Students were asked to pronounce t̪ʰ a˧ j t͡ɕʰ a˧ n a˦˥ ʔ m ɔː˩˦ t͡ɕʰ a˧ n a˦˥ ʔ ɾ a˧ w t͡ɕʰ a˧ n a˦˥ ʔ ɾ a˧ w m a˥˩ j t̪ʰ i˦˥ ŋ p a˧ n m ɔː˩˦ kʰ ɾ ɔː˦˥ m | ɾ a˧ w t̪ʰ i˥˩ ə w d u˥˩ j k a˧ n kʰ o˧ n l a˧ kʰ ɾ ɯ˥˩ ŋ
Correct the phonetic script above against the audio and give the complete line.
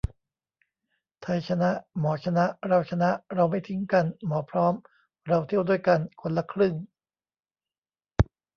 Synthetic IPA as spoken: t̪ʰ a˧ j t͡ɕʰ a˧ n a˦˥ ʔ m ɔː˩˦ t͡ɕʰ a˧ n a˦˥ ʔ ɾ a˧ w t͡ɕʰ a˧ n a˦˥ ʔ ɾ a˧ w m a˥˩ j t̪ʰ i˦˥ ŋ k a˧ n m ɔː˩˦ pʰ ɾ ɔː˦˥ m | ɾ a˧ w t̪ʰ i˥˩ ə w d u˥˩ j k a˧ n kʰ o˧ n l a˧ kʰ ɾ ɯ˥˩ ŋ